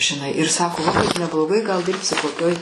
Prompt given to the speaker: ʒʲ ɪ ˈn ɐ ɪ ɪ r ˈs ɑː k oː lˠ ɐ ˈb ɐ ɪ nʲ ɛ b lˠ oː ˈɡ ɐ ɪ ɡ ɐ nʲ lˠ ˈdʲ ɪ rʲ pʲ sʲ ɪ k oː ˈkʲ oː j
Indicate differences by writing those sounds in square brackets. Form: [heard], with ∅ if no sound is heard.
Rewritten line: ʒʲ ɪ ˈn ɐ ɪ ɪ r ˈs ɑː k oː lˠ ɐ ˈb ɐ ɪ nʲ ɛ b lˠ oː ˈɡ ɐ ɪ ɡ ɐ [∅] lˠ ˈdʲ ɪ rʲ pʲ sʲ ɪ k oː ˈkʲ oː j